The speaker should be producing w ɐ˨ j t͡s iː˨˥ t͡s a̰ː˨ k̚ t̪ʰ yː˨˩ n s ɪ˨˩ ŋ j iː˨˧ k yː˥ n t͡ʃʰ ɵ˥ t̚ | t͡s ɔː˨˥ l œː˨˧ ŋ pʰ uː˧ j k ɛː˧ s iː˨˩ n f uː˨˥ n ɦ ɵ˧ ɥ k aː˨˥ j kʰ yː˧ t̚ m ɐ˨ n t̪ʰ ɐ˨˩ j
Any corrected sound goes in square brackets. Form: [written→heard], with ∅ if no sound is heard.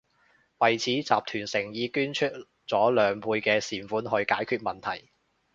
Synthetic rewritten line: w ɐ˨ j [t͡s→t͡sʰ] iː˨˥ t͡s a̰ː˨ [k̚→p̚] t̪ʰ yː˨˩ n s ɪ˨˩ ŋ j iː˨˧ k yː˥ n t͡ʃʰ ɵ˥ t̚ | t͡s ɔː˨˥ l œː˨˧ ŋ pʰ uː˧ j k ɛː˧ s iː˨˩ n f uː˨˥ n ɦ ɵ˧ ɥ k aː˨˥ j kʰ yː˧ t̚ m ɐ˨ n t̪ʰ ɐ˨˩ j